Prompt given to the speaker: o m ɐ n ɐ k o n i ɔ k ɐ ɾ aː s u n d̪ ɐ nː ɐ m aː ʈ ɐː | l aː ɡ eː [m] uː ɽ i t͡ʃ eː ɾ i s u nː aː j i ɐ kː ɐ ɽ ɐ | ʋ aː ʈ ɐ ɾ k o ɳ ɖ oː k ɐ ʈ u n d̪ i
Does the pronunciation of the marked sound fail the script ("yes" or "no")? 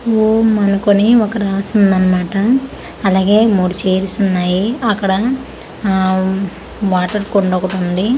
no